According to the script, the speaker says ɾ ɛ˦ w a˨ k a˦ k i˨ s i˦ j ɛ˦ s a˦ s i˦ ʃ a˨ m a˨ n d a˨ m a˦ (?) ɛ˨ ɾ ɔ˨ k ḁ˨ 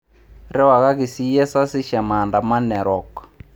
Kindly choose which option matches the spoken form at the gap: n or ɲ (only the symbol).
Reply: n